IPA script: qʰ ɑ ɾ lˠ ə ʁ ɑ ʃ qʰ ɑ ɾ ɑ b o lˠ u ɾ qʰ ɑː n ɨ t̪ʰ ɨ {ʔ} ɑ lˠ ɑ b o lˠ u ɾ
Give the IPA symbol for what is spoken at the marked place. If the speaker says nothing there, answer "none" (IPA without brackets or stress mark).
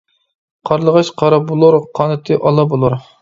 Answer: ʔ